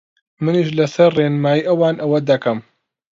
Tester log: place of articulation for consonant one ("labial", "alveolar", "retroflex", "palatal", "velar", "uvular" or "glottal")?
labial